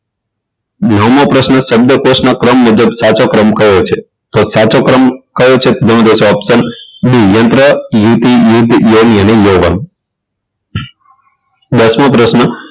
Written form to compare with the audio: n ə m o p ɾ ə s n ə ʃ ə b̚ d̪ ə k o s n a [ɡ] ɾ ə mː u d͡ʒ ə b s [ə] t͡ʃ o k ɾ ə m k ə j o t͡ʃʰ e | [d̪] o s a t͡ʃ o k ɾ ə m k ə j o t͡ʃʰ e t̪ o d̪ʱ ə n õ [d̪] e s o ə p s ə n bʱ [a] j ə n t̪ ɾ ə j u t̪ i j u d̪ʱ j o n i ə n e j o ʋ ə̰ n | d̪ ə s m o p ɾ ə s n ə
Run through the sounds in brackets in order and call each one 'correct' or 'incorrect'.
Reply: incorrect: k, incorrect: a, incorrect: t̪, correct, incorrect: i

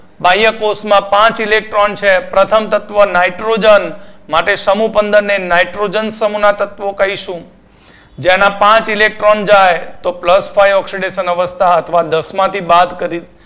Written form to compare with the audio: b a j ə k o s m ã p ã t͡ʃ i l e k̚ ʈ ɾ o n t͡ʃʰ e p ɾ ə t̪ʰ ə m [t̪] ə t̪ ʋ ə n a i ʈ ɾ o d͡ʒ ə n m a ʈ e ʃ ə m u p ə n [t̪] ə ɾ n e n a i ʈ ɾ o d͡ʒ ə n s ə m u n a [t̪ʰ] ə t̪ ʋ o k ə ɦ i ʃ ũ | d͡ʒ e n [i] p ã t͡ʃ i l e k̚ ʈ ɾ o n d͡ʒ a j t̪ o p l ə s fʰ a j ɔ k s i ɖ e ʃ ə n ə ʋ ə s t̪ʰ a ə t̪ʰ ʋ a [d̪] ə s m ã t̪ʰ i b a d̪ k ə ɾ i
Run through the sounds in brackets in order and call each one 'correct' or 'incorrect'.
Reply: correct, incorrect: d̪, incorrect: t̪, incorrect: a, correct

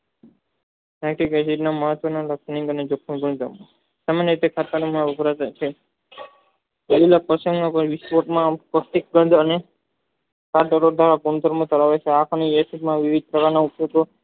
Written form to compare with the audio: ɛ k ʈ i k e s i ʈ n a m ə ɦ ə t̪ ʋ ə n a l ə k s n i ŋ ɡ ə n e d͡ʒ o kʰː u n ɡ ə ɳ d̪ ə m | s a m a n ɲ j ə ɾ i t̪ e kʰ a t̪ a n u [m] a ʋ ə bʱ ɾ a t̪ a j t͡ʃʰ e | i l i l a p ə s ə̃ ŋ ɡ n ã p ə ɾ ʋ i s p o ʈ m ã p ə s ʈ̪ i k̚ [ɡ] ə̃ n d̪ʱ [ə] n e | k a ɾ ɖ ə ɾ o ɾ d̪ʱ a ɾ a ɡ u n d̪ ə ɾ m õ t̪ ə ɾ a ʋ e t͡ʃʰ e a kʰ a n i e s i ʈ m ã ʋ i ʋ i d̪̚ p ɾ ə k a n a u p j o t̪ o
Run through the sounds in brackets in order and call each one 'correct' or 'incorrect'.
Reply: correct, correct, correct

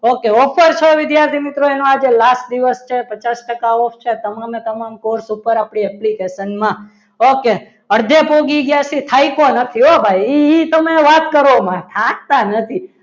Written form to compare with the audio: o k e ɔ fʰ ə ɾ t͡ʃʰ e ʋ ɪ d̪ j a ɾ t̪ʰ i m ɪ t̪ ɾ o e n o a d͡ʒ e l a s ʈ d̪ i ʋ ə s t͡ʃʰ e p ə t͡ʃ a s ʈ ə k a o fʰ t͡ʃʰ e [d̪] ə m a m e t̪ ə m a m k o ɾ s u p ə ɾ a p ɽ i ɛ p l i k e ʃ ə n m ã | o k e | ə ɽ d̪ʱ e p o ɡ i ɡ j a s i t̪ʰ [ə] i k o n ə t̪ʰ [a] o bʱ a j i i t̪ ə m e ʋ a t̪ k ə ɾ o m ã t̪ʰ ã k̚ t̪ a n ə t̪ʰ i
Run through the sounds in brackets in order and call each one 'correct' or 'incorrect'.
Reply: incorrect: t̪, incorrect: a, incorrect: i

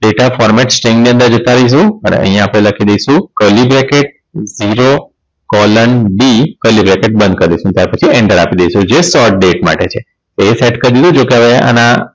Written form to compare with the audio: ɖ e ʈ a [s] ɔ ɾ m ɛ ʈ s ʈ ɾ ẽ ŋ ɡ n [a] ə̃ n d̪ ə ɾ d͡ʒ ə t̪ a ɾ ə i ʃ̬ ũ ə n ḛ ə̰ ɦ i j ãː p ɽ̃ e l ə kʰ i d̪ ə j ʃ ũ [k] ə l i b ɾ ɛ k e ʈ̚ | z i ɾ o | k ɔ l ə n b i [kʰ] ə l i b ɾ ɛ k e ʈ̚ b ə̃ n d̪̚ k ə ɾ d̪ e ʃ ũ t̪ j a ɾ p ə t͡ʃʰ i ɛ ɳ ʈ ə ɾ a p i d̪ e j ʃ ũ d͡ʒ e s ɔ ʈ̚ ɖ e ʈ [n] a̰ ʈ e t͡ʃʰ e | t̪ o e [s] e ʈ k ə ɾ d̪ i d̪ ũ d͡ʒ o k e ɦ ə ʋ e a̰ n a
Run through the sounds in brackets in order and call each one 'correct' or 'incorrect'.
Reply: incorrect: f, incorrect: i, correct, incorrect: k, incorrect: m, correct

